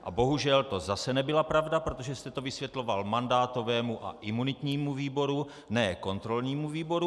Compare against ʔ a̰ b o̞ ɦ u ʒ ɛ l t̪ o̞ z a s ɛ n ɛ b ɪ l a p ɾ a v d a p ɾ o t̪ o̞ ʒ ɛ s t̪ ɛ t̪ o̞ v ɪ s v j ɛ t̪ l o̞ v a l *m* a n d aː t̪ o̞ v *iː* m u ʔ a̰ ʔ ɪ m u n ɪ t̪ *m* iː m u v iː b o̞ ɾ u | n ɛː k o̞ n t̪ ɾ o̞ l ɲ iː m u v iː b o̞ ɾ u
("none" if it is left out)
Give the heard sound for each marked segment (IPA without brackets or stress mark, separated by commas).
m, ɛː, ɲ